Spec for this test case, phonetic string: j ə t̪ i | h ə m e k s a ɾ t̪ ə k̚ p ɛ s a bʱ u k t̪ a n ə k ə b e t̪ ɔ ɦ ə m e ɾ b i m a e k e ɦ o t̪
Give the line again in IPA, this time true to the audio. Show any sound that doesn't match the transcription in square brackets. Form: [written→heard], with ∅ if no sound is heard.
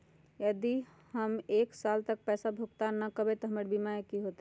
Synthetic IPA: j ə [t̪→d̪] i | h ə m e k s a [ɾ→l] t̪ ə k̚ p ɛ s a bʱ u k t̪ a n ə k ə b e t̪ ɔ ɦ ə m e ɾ b i m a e k [e→i] ɦ o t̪